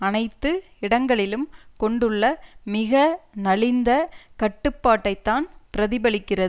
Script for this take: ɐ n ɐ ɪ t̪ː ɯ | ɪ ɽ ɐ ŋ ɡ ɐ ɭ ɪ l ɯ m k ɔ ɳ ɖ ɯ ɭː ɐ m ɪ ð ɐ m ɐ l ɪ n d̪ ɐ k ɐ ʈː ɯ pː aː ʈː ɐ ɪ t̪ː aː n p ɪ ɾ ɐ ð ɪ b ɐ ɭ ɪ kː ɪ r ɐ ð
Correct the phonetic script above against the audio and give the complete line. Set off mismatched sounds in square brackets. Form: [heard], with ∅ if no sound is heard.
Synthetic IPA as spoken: ɐ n ɐ ɪ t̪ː ɯ | ɪ ɽ ɐ ŋ ɡ ɐ ɭ ɪ l ɯ m k ɔ ɳ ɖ ɯ ɭː ɐ m ɪ [ɣ] ɐ [n] ɐ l ɪ n d̪ ɐ k ɐ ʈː ɯ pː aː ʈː ɐ ɪ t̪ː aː n p ɪ ɾ ɐ ð ɪ b ɐ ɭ ɪ kː ɪ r ɐ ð